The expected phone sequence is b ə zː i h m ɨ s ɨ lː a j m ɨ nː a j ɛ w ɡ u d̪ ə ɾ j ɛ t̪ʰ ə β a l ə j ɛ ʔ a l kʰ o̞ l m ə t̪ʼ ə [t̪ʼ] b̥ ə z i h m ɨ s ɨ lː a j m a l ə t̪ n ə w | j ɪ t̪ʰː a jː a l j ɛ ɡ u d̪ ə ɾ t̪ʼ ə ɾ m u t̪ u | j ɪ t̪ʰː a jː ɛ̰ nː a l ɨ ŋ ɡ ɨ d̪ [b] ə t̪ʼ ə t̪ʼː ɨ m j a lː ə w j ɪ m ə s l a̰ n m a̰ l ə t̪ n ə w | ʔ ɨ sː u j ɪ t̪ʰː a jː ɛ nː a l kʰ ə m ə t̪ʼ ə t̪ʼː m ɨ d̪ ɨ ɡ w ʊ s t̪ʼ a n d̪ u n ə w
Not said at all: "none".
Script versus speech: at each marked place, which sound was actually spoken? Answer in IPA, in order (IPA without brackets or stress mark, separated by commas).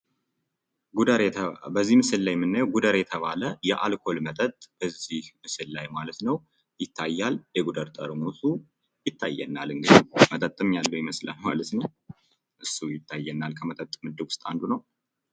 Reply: t̪ʼ, m